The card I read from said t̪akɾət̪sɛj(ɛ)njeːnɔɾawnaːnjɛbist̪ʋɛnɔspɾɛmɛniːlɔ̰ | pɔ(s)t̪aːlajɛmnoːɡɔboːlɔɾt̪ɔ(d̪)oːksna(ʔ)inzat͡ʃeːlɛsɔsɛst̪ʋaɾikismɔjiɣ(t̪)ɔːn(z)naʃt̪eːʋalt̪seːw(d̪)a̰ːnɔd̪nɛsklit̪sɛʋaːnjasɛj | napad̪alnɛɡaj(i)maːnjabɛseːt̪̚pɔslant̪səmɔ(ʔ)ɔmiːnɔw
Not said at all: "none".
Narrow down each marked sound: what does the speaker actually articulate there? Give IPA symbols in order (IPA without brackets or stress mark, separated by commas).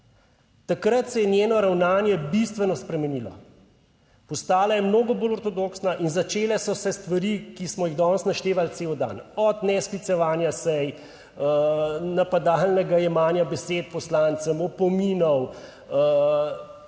ɛ, s, d̪, ʔ, d̪, s, d̪, ɛ, p